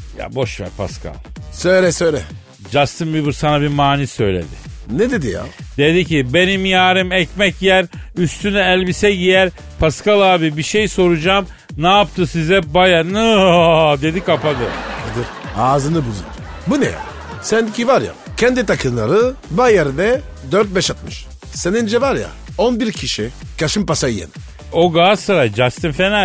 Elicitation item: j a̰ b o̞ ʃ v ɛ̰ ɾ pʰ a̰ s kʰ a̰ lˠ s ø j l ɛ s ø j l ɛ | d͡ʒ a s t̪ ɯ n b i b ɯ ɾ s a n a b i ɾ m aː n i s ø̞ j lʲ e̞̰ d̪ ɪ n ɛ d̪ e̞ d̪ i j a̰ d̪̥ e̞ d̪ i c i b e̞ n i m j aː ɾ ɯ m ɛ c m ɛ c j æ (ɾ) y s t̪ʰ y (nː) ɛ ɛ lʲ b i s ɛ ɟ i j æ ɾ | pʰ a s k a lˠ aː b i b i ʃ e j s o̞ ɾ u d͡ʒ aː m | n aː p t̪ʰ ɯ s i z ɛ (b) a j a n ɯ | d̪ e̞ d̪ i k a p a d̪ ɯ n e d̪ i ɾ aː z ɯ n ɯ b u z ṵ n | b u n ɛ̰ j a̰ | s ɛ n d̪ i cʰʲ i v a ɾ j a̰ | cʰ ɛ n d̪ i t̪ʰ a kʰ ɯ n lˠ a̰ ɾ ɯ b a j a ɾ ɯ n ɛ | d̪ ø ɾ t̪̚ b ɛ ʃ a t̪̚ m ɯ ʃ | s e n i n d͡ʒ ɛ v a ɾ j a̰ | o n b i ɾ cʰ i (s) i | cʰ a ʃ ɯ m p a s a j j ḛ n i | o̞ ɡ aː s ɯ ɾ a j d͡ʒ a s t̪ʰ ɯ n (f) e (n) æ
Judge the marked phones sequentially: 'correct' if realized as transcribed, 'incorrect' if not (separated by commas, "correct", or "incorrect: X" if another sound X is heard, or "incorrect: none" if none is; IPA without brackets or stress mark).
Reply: correct, incorrect: n, correct, incorrect: ʃ, correct, correct